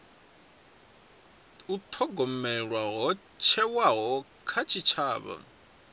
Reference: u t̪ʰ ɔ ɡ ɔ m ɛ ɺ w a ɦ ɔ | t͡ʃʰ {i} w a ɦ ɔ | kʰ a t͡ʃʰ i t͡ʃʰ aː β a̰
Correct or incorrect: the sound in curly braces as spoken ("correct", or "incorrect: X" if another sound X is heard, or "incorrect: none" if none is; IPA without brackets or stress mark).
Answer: incorrect: ɛ